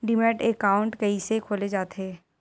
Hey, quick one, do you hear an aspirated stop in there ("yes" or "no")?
yes